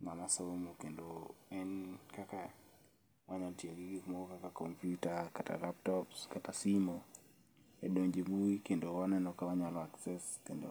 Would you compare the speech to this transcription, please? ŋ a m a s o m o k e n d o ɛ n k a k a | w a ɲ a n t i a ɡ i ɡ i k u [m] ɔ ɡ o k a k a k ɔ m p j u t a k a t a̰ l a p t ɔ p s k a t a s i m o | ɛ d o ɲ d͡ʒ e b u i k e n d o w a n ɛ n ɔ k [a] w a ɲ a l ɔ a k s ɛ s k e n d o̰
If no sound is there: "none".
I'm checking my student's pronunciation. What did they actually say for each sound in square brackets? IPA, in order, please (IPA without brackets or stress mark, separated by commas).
m, a